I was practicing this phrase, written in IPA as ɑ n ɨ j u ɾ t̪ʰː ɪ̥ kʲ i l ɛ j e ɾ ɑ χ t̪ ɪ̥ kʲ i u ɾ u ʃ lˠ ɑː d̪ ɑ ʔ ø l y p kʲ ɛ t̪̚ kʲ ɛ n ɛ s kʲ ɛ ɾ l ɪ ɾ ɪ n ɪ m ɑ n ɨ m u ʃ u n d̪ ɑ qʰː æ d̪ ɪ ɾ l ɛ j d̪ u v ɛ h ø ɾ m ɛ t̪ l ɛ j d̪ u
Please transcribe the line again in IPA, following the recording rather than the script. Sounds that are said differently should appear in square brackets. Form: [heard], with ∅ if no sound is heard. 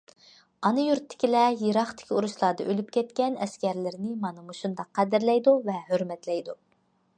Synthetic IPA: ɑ n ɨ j u ɾ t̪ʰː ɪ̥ kʲ i l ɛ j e ɾ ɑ χ t̪ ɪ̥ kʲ i u ɾ u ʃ lˠ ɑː d̪ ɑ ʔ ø l y p kʲ ɛ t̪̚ kʲ ɛ n ɛ s kʲ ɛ ɾ l ɪ ɾ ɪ n ɪ m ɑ n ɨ m u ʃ u n d̪ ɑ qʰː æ d̪ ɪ ɾ l ɛ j d̪ u v ɛ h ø ɾ m ɛ t̪ l ɛ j d̪ u